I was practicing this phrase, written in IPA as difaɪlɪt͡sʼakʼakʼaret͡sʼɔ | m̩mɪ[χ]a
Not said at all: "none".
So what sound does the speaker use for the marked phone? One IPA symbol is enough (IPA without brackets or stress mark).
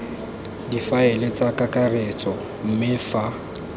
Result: f